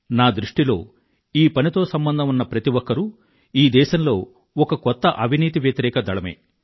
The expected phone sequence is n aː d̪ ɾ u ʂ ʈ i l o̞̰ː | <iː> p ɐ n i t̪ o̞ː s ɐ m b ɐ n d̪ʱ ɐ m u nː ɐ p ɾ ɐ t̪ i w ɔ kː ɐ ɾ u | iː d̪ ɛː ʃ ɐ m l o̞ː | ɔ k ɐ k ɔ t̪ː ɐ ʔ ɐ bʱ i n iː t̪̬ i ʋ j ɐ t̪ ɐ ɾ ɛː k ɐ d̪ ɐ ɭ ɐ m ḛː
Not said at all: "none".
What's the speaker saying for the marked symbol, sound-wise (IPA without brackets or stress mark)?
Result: iː